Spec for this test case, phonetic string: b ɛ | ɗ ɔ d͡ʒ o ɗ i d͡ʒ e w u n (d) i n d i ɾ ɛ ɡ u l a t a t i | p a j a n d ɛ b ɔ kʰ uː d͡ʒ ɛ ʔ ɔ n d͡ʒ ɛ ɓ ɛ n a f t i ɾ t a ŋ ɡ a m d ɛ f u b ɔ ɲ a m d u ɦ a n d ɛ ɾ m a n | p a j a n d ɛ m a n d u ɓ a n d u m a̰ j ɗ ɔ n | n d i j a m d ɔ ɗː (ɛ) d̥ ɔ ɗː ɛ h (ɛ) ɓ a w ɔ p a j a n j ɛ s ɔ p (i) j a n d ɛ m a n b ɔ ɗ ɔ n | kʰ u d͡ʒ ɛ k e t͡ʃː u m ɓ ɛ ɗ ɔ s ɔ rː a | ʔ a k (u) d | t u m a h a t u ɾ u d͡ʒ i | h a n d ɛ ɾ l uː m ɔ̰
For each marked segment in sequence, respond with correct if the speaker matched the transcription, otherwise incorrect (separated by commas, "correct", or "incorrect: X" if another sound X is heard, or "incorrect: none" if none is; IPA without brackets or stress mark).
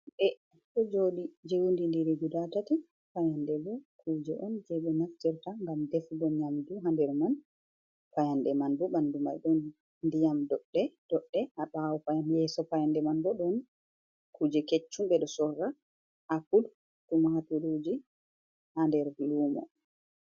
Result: correct, correct, incorrect: a, incorrect: a, correct